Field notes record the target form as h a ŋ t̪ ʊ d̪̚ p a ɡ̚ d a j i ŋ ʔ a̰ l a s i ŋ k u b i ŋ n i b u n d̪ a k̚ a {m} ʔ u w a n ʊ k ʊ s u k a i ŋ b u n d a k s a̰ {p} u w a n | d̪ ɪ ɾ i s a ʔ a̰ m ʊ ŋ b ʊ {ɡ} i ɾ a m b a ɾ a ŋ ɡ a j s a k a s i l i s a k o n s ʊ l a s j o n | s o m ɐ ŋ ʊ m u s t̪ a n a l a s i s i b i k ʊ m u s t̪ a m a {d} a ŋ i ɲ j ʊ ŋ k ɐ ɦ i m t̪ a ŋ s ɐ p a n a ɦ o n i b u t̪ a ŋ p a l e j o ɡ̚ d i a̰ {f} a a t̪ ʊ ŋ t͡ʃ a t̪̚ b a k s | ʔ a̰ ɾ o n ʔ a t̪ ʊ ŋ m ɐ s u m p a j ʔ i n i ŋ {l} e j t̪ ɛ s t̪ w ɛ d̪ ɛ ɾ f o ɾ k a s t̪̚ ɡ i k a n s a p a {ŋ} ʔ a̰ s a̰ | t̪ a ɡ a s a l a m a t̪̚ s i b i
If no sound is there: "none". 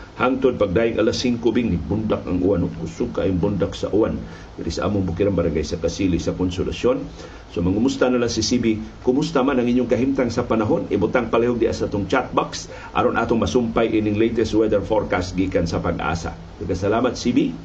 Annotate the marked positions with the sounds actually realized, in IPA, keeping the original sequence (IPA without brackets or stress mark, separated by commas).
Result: ŋ, ʔ, k, n, s, l, ɡ